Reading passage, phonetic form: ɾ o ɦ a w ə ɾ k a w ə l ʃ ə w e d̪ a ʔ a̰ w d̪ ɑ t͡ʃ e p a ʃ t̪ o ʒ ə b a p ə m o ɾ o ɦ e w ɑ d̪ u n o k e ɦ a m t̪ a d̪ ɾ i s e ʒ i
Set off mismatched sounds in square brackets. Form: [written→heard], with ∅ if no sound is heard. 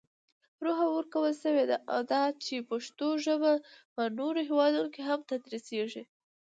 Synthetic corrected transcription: ɾ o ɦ a w ə ɾ k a w ə l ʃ ə w e d̪ a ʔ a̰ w d̪ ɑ t͡ʃ e p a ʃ t̪ o ʒ ə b a p ə [m→n] o ɾ o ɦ e w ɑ d̪ u n o k e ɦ a m t̪ a d̪ ɾ i s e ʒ i